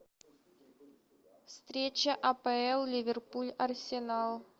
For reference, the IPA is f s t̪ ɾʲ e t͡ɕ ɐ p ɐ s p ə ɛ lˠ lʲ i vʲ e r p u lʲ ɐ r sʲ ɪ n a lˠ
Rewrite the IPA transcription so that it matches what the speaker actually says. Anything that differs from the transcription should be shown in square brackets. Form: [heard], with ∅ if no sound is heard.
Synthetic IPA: f s t̪ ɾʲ e t͡ɕ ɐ [ʔ] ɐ [∅] p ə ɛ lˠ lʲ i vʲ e r p u lʲ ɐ r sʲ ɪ n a lˠ